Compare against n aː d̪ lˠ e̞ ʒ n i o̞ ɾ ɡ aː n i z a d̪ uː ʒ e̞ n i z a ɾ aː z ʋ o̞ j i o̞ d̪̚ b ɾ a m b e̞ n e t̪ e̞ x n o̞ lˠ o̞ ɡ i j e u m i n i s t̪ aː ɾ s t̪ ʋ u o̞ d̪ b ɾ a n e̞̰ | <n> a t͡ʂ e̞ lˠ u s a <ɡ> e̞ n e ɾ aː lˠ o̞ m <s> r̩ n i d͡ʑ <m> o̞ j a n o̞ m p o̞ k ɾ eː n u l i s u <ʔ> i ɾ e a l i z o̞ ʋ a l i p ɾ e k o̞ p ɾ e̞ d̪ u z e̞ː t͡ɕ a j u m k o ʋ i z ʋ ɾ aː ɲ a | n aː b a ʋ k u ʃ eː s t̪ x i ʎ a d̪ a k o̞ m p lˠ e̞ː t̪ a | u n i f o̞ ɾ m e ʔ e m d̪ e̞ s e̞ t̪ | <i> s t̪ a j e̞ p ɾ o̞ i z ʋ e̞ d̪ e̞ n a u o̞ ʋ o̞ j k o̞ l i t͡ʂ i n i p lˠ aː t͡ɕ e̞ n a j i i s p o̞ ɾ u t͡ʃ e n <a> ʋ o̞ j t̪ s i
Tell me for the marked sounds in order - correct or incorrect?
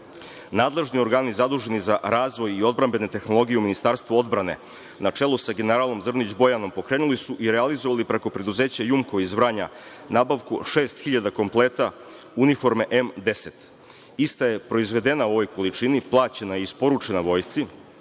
correct, correct, incorrect: z, incorrect: b, correct, correct, correct

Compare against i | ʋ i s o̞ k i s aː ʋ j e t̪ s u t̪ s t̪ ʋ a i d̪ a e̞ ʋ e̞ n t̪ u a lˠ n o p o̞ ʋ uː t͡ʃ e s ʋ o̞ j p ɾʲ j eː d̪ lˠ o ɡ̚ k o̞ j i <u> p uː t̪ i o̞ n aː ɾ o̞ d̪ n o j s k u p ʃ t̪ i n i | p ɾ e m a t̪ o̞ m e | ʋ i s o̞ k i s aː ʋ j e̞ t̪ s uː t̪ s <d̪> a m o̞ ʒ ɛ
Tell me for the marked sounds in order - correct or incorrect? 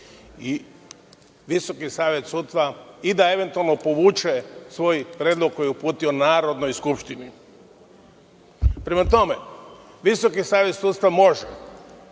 correct, incorrect: t̪

